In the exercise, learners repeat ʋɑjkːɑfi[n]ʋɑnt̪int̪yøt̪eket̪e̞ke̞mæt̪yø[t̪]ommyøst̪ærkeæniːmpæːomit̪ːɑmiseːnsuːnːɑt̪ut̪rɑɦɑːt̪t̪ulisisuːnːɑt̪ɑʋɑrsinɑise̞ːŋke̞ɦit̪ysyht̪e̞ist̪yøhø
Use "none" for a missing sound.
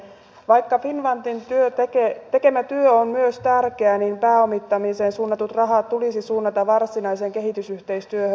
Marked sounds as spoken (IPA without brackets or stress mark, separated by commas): n, none